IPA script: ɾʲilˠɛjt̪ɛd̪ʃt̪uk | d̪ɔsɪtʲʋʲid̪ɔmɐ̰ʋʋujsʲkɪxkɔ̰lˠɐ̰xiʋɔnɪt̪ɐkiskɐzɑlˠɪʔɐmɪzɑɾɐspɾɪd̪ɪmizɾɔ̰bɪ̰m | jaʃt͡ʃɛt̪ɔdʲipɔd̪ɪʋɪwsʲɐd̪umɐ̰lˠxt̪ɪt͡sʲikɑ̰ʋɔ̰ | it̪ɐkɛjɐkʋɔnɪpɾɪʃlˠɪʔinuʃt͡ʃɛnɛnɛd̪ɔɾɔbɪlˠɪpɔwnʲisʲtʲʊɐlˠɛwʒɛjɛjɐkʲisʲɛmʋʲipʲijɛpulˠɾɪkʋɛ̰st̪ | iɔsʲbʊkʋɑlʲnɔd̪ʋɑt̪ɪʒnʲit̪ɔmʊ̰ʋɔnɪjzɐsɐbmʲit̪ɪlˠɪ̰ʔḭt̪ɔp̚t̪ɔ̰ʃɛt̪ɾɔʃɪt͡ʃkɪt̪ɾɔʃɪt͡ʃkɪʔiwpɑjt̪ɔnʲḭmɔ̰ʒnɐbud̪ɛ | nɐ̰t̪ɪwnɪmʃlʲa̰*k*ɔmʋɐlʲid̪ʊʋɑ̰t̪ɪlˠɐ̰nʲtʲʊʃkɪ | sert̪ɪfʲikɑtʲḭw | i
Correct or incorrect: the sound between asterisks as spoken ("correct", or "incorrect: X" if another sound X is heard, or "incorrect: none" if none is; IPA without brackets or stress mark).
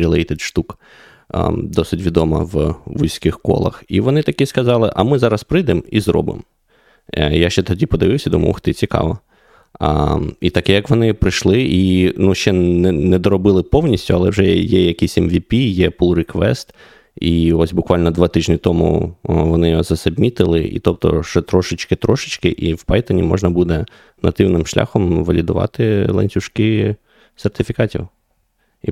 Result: incorrect: x